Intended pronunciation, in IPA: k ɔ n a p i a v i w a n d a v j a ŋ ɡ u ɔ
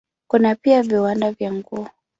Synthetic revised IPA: k u n a p i a v i w a n d a v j a ŋ ɡ u ɔ